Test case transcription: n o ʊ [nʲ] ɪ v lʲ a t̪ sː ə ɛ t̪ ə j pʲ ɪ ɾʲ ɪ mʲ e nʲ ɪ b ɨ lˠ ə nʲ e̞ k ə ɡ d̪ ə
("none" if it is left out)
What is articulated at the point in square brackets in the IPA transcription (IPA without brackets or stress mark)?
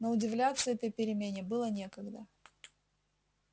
dʲ